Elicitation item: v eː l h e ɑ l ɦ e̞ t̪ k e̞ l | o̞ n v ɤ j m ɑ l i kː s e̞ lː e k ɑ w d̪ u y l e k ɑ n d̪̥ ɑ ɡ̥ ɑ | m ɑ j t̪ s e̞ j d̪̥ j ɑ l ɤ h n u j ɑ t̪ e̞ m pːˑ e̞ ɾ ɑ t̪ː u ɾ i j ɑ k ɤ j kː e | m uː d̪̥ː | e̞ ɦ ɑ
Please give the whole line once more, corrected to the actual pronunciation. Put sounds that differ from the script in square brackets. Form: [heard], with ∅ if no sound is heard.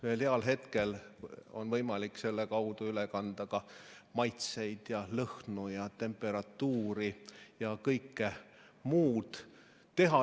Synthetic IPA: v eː l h e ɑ l ɦ e̞ t̪ k e̞ l | o̞ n v ɤ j m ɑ l i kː s e̞ lː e k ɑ w d̪ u y l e k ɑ n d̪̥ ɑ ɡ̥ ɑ | m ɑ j t̪ s e̞ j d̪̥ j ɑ l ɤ h n u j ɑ t̪ e̞ m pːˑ e̞ ɾ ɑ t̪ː [uː] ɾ i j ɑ k ɤ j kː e | m uː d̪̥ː | e̞ ɦ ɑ